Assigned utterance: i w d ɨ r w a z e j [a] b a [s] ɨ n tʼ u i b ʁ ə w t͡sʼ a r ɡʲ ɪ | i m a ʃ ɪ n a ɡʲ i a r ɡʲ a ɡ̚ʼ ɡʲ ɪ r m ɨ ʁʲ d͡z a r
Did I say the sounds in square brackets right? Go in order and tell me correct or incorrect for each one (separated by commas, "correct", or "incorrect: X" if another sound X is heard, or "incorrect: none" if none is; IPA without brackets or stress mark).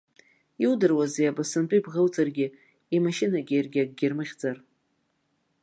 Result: correct, correct